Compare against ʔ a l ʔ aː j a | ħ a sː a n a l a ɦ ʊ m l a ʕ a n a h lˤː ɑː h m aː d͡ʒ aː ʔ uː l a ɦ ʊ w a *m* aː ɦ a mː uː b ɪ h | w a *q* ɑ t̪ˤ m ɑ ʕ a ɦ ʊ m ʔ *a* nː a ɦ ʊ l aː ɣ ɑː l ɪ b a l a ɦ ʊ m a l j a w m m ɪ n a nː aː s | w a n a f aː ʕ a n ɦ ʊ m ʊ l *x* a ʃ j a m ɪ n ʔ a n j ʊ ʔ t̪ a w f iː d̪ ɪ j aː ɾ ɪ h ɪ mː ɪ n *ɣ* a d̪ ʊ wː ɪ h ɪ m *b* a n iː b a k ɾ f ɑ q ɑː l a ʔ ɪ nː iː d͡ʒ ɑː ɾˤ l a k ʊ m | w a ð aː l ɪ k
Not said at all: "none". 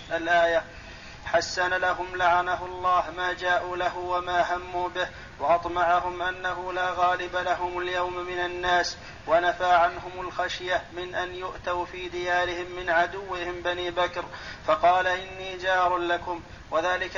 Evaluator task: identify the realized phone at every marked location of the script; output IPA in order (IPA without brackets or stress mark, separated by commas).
m, ʔ, a, x, ʕ, b